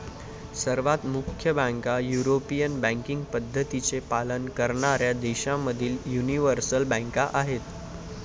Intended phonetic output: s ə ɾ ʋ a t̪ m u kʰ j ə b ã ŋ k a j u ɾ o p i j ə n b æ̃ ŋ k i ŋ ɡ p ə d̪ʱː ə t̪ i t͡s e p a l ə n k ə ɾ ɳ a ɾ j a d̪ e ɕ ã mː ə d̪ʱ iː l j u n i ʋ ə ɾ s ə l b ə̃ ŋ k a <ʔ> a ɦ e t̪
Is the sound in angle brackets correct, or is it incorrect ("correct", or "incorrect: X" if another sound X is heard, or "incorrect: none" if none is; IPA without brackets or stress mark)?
correct